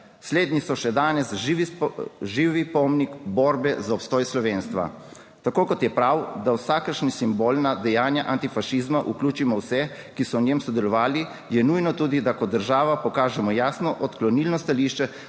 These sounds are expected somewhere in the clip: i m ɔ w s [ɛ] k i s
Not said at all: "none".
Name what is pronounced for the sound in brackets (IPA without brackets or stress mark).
ɛ